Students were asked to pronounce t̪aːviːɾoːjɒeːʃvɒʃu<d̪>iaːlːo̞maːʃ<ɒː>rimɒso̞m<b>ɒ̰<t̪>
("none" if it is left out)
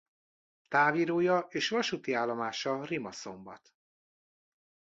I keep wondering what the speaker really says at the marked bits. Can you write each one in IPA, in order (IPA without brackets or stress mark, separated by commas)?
t̪, ɒ, b, t̪